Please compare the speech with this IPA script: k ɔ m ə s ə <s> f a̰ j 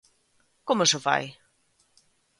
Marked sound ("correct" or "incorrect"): incorrect